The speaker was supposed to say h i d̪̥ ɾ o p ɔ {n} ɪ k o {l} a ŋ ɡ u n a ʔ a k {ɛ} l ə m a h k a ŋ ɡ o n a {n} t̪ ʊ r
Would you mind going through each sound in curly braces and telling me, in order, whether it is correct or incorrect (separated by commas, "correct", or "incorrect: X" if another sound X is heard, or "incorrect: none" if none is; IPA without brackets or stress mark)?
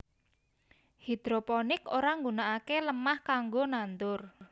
correct, incorrect: ɾ, incorrect: e, correct